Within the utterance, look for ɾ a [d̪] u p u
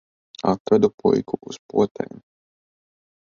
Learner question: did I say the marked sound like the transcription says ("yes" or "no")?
yes